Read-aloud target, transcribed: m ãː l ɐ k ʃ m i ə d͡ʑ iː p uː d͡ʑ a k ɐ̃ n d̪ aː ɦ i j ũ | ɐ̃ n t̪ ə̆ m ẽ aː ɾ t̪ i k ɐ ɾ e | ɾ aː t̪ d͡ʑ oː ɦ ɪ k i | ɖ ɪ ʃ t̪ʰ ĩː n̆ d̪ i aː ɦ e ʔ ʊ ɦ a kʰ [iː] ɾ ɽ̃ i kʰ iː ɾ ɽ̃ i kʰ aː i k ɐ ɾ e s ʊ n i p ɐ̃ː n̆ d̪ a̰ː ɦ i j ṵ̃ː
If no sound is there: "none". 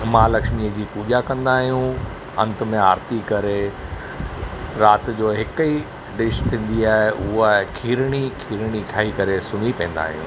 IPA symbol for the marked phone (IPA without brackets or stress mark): iː